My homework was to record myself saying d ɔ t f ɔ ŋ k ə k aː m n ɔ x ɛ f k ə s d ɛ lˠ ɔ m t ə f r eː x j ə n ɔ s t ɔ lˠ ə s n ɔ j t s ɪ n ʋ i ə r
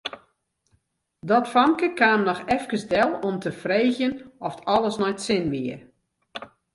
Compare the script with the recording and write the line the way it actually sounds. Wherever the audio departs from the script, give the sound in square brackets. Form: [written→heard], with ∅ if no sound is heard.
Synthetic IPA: d ɔ t f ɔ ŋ k ə k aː m n ɔ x ɛ f k ə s d ɛ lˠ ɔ m t ə f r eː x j ə n ɔ [s→f] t ɔ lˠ ə s n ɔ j t s ɪ n ʋ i ə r